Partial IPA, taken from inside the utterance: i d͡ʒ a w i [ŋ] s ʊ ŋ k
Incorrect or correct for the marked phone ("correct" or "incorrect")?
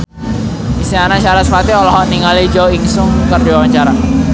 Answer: correct